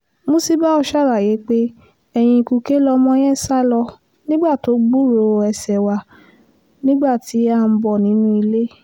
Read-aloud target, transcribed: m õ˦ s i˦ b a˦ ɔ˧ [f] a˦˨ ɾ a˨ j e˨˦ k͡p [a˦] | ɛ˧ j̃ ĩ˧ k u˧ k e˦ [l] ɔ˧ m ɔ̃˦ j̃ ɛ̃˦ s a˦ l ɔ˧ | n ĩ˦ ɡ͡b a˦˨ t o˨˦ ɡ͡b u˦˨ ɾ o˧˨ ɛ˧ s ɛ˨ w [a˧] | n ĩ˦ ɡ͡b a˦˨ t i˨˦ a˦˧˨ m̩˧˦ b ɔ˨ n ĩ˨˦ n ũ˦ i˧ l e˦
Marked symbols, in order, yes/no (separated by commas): no, no, yes, yes